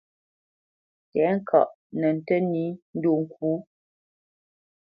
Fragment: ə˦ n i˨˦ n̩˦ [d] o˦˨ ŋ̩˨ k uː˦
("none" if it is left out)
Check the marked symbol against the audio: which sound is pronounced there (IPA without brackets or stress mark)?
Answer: d